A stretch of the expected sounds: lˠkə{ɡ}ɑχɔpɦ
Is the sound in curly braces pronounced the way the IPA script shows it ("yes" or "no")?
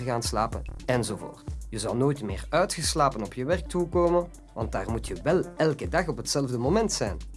no